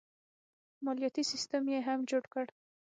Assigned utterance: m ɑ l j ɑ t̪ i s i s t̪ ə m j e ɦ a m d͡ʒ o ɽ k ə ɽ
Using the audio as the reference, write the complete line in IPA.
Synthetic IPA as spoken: m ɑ l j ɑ t̪ i s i s t̪ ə m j e ɦ a m d͡ʒ o ɽ k ə ɽ